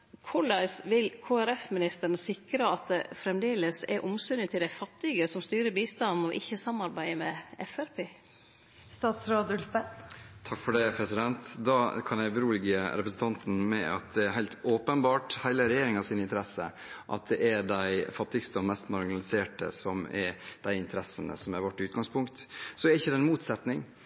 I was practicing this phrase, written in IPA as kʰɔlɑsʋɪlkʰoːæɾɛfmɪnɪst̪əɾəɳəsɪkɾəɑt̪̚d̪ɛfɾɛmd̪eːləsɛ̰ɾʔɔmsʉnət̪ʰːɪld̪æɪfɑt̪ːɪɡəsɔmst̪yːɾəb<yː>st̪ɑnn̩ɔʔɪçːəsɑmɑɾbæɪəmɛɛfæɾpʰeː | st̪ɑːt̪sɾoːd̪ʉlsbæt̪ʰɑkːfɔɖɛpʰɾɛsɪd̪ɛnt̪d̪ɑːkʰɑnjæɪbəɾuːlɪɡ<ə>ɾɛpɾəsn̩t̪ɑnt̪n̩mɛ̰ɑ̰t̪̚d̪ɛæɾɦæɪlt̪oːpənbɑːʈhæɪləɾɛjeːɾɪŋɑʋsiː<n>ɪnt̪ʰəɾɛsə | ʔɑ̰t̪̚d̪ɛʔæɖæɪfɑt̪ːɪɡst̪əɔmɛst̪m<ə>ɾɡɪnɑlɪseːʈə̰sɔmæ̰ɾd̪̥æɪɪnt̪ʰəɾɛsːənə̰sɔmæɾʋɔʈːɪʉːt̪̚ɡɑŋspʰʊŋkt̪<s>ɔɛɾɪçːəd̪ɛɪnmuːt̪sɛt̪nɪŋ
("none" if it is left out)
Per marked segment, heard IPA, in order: iː, ə, n, ɑ, s

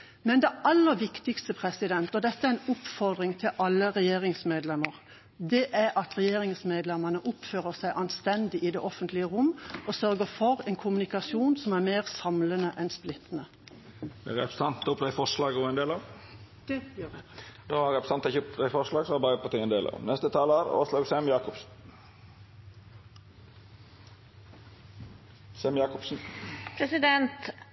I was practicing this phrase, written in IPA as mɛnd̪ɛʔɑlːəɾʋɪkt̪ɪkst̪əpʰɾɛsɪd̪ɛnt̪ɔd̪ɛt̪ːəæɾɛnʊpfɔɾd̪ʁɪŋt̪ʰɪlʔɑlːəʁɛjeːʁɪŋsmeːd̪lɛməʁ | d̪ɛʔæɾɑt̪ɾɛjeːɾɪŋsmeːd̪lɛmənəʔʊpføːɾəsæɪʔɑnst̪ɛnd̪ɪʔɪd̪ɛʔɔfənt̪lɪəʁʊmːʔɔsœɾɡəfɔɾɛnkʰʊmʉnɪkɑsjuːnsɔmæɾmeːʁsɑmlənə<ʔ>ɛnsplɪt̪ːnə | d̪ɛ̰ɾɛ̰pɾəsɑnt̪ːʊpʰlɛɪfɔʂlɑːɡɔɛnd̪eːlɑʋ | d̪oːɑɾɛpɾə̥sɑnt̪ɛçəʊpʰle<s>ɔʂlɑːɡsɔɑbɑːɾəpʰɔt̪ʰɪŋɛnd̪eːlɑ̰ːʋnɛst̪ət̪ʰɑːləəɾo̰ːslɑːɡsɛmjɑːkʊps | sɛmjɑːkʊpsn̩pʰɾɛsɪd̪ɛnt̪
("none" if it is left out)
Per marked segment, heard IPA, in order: ʔ, f

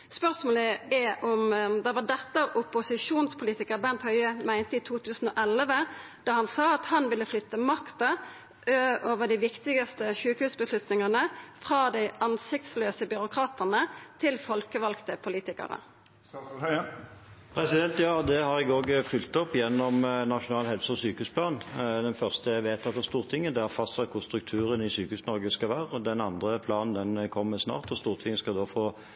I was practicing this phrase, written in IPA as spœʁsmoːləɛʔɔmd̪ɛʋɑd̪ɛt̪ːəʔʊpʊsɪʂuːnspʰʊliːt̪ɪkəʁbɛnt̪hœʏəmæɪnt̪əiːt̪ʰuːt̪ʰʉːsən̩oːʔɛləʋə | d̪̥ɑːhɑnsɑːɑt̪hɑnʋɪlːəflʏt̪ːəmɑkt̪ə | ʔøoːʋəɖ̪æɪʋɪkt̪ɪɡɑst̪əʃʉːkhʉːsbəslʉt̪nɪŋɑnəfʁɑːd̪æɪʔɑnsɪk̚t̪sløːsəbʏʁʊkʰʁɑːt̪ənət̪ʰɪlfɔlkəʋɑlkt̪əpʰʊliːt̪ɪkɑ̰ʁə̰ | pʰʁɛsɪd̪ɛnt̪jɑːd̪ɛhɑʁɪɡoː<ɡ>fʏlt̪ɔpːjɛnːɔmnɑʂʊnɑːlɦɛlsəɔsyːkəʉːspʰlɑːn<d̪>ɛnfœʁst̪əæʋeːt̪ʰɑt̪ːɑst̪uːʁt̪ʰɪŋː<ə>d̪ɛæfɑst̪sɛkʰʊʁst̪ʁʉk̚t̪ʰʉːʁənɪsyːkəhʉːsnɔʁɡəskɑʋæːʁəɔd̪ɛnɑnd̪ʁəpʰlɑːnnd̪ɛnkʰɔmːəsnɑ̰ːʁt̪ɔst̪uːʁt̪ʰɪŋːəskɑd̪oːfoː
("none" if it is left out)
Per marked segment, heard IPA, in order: ɡ, d̪, ə

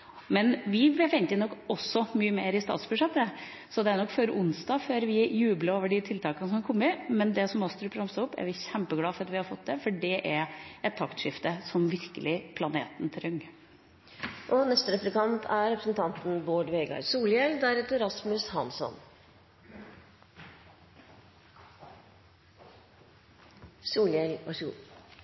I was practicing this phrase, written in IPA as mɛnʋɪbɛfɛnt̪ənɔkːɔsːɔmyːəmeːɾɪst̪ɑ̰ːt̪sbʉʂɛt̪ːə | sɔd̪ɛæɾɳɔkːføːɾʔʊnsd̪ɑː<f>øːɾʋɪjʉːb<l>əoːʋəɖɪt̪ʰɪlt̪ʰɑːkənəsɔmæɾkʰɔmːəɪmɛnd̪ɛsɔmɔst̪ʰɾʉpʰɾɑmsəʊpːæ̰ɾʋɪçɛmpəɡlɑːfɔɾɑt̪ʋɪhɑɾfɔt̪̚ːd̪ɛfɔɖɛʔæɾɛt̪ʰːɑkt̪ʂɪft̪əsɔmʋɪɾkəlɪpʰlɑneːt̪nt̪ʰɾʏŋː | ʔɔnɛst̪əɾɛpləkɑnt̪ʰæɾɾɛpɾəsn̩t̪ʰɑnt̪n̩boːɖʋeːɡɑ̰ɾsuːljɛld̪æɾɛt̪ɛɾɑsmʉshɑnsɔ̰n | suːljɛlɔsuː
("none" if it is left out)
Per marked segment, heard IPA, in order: f, l

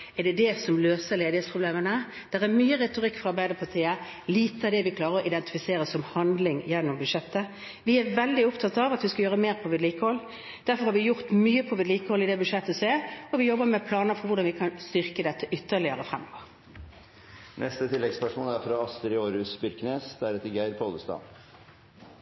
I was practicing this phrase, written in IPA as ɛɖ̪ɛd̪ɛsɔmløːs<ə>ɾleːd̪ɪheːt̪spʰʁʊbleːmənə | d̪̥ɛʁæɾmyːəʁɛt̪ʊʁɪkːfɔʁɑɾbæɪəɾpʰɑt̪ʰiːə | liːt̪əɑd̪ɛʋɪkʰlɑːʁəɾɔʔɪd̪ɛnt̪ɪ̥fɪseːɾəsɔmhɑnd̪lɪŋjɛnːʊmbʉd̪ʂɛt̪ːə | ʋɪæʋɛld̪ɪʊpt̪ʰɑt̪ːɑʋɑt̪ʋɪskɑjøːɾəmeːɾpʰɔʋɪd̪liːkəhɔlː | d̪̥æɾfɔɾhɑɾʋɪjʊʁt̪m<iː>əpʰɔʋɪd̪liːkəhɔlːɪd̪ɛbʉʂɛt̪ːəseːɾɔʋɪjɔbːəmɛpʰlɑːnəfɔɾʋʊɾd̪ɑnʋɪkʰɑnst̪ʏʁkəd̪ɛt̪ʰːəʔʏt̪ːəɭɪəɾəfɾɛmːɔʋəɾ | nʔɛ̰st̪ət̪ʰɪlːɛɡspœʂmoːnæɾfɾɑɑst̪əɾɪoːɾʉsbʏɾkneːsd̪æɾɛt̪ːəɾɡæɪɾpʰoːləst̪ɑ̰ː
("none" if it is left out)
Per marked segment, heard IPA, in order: ə, yː

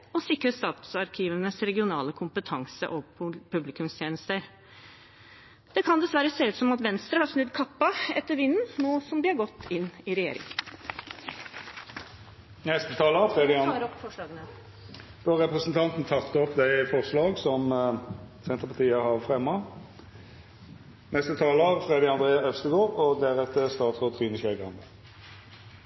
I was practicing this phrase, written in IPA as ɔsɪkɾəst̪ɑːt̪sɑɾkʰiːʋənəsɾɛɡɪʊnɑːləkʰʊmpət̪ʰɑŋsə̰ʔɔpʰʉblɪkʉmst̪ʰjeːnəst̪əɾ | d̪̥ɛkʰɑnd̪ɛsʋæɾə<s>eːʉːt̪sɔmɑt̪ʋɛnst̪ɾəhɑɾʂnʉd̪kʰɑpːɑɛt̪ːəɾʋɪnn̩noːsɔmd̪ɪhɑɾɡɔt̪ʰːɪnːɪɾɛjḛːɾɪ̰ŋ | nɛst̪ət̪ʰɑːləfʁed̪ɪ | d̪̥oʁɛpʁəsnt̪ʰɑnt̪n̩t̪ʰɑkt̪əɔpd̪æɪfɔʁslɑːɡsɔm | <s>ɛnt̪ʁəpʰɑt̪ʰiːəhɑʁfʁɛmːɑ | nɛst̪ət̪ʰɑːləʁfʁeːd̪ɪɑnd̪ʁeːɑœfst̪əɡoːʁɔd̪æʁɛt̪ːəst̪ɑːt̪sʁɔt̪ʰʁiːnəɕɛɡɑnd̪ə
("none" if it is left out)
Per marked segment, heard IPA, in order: s, s

